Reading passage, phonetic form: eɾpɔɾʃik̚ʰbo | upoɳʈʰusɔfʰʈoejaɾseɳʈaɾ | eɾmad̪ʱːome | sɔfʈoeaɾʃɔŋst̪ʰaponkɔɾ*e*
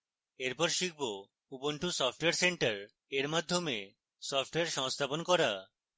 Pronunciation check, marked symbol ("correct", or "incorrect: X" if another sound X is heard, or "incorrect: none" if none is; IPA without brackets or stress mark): incorrect: a